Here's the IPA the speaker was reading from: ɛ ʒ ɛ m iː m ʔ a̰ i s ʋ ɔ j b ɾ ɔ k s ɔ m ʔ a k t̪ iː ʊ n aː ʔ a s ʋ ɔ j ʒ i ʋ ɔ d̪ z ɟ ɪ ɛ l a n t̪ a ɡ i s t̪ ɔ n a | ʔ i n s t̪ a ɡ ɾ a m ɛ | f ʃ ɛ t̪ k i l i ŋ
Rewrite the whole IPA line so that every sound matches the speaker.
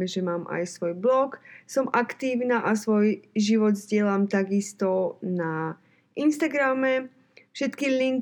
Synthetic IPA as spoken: ɛ ʒ ɛ m aː m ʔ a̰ j s ʋ ɔ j b l ɔ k s ɔ m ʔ a k t̪ iː ʊ n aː ʔ a s ʋ ɔ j ʒ i ʋ ɔ d̪ z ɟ ɪ ɛ l a m t̪ a ɡ i s t̪ ɔ n a | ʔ i n s t̪ a ɡ ɾ a m ɛ | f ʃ ɛ t̪ k i l i ŋ